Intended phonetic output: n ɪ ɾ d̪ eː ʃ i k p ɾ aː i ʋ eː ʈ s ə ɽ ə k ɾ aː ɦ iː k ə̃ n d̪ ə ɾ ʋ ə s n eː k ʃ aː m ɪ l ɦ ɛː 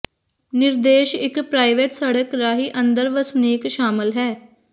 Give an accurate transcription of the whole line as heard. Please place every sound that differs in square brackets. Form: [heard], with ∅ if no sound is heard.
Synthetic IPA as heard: n ɪ ɾ d̪ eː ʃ [ɪ] k p ɾ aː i ʋ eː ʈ s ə ɽ ə k ɾ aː ɦ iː [ʔ] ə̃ n d̪ ə ɾ ʋ ə s n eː k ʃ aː m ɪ l ɦ ɛː